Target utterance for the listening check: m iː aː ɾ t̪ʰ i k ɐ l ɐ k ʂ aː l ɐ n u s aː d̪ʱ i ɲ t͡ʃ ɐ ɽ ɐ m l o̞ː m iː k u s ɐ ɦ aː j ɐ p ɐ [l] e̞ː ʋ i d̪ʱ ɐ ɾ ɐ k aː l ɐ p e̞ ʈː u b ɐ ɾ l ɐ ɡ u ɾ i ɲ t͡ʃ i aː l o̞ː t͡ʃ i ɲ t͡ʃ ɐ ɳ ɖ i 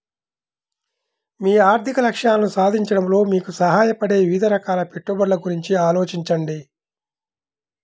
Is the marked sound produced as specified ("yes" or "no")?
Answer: no